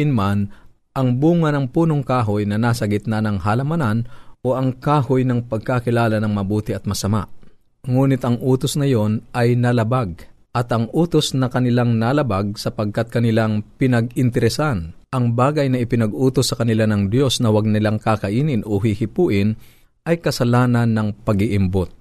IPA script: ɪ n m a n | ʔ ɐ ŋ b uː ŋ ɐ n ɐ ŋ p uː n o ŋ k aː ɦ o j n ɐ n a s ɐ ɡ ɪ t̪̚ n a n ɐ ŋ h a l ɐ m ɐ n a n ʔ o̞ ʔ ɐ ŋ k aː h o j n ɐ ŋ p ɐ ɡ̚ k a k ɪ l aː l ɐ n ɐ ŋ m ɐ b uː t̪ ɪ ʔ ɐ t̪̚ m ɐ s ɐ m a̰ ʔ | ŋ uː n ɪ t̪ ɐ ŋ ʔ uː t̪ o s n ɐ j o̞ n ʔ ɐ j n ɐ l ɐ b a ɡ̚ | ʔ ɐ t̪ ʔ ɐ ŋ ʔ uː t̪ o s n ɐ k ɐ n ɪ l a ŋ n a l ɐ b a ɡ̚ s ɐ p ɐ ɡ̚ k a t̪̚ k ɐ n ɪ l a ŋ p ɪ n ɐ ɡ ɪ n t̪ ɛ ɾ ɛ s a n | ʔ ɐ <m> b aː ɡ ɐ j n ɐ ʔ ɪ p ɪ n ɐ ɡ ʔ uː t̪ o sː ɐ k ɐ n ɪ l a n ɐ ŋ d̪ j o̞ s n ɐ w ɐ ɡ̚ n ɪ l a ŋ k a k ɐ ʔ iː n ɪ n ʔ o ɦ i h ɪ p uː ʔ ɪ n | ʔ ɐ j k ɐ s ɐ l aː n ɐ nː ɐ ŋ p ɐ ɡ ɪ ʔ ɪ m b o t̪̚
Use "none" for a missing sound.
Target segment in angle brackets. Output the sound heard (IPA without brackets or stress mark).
ŋ